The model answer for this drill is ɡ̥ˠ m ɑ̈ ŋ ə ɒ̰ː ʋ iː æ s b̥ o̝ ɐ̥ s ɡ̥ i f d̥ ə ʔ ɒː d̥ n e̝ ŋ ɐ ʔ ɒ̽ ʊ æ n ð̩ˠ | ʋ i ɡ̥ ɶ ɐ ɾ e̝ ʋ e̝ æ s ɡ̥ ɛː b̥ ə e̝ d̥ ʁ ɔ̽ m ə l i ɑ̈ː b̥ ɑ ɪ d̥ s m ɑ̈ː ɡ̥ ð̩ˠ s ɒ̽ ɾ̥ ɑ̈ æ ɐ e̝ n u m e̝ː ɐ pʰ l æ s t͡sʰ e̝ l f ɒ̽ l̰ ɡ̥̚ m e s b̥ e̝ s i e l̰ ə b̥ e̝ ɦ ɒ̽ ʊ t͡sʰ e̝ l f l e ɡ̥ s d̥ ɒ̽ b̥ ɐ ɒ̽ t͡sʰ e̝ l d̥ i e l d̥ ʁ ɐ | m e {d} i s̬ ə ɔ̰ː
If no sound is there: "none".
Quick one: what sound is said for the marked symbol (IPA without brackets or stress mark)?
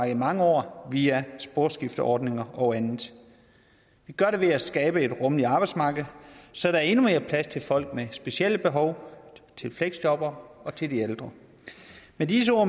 d